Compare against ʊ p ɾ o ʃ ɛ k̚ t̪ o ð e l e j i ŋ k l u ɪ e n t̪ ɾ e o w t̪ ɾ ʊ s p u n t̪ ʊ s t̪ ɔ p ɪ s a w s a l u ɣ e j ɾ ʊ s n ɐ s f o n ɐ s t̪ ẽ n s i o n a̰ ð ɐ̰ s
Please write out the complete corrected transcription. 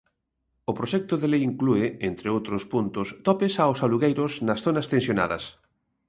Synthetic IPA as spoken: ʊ p ɾ o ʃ ɛ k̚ t̪ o ð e l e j i ŋ k l u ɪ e n t̪ ɾ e o w t̪ ɾ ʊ s p u n t̪ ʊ s t̪ ɔ p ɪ s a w s a l u ɣ e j ɾ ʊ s n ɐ s θ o n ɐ s t̪ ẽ n s j o n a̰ ð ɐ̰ s